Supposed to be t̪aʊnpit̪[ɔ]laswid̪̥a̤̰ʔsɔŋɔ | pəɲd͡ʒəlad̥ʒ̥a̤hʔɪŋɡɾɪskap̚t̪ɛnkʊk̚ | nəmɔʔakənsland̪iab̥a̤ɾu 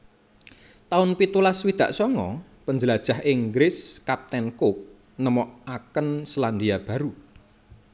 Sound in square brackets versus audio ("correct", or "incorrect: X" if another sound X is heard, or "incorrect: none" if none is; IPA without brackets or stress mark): incorrect: u